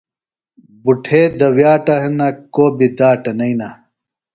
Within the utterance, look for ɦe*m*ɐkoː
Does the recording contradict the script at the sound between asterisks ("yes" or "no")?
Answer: yes